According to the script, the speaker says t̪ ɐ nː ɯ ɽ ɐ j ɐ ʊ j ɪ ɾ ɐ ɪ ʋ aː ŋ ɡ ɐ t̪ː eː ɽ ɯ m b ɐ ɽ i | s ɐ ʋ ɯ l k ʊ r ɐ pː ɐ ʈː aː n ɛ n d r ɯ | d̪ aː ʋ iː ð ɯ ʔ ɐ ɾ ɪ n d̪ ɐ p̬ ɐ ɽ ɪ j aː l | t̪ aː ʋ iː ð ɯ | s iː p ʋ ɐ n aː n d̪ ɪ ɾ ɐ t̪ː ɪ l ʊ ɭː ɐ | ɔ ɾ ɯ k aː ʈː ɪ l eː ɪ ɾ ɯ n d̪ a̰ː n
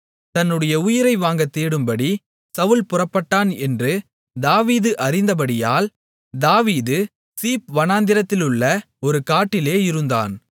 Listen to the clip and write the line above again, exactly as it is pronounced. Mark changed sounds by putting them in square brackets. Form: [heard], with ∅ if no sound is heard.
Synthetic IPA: t̪ ɐ nː ɯ ɽ ɐ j ɐ ʊ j ɪ ɾ ɐ ɪ ʋ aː ŋ ɡ ɐ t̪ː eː ɽ ɯ m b ɐ ɽ i | s ɐ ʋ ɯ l [p] ʊ r ɐ pː ɐ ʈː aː n ɛ n d r ɯ | d̪ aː ʋ iː ð ɯ ʔ ɐ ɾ ɪ n d̪ ɐ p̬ ɐ ɽ ɪ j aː l | [d̪] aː ʋ iː ð ɯ | s iː p ʋ ɐ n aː n d̪ ɪ ɾ ɐ t̪ː ɪ l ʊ ɭː ɐ | ɔ ɾ ɯ k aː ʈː ɪ l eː ɪ ɾ ɯ n d̪ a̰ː n